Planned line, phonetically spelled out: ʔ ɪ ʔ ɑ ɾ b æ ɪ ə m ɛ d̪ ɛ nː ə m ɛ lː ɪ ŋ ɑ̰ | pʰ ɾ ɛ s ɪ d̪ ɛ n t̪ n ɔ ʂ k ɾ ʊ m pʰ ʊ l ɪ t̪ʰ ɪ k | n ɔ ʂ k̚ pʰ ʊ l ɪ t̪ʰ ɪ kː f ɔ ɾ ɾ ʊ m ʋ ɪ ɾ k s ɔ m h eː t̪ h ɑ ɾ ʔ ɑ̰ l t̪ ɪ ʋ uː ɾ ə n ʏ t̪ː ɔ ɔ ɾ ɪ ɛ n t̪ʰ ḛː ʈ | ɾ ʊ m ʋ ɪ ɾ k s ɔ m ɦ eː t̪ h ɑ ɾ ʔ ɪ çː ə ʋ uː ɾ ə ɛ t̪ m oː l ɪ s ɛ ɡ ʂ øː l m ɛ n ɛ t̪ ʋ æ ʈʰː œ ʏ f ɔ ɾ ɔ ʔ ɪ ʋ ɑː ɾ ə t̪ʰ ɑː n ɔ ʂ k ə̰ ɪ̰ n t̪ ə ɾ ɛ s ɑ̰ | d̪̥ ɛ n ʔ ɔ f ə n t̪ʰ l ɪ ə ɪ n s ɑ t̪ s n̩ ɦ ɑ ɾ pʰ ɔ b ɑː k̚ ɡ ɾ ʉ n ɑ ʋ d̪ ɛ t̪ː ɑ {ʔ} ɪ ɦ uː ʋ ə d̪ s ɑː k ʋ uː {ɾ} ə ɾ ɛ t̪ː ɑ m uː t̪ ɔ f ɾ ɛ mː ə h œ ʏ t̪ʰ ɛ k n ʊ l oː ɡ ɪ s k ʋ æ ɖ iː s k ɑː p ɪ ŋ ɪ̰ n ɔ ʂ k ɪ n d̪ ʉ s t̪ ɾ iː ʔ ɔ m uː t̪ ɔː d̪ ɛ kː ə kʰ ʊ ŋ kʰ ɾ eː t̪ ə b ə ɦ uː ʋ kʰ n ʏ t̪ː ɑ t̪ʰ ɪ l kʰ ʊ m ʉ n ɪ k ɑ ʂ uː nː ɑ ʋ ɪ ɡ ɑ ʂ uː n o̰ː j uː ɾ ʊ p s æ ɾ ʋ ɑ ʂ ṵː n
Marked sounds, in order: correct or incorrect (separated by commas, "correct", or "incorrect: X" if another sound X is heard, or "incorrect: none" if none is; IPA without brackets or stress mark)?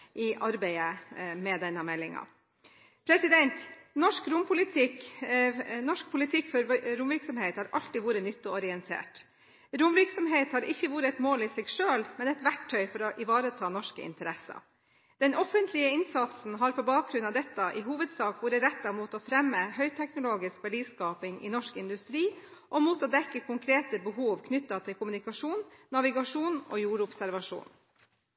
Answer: correct, correct